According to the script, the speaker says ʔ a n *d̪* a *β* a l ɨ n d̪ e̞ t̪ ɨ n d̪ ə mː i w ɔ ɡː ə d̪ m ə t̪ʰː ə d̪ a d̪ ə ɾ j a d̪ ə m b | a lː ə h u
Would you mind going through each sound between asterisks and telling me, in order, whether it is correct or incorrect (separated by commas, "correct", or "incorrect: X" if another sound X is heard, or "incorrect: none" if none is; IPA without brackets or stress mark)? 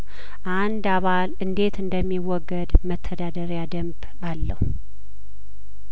correct, correct